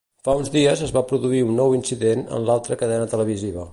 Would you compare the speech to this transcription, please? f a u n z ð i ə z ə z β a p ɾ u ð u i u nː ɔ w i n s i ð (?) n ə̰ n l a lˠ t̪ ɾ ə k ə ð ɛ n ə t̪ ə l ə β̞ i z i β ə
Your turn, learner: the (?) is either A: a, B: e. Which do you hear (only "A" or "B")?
B